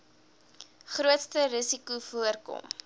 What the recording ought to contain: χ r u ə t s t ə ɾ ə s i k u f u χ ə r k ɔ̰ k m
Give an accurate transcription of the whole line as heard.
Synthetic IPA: χ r u ə t s t ə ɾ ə s i k u f u ə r k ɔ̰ m